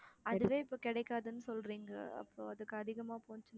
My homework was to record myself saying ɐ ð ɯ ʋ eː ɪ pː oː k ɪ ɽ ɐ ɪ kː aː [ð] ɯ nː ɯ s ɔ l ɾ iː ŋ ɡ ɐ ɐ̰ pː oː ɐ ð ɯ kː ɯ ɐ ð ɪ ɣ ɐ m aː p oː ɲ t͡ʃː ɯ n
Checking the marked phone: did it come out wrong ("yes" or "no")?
no